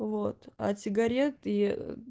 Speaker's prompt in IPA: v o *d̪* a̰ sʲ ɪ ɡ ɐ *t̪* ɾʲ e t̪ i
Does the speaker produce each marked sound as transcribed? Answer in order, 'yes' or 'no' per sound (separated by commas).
no, no